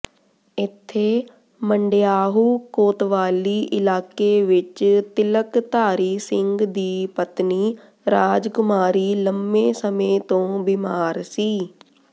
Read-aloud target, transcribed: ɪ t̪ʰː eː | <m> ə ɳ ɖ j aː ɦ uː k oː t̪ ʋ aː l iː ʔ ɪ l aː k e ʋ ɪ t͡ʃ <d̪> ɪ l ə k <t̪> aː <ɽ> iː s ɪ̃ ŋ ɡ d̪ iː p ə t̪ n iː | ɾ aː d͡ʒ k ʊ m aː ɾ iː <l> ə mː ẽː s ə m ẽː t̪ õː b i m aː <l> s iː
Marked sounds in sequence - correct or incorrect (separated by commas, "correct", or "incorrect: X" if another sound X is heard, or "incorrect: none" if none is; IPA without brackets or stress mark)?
correct, incorrect: t̪, correct, incorrect: ɾ, correct, incorrect: ɾ